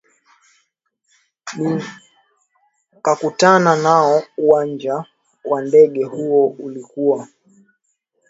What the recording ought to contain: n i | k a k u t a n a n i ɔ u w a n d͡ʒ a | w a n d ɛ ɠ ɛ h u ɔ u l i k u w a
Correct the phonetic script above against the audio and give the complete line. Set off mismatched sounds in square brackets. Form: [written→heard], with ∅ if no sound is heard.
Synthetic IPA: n i | k a k u t a n a n [i→a] ɔ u w a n d͡ʒ a | w a n d ɛ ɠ ɛ h u ɔ u l i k u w a